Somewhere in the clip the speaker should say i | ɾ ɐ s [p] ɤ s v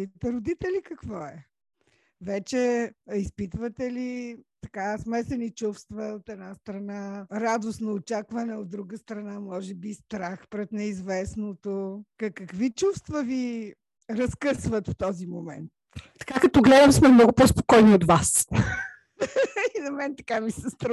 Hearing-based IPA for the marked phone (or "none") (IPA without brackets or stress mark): k